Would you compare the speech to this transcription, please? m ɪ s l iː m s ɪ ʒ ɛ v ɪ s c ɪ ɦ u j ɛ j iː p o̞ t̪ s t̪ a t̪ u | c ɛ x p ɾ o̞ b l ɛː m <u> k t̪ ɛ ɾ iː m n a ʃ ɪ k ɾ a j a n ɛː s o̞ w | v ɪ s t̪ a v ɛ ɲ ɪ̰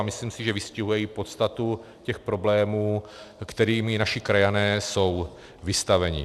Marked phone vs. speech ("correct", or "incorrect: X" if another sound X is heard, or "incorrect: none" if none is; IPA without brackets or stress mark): incorrect: uː